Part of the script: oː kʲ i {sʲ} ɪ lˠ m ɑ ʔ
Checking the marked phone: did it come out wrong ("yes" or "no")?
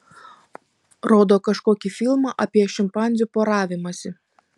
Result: yes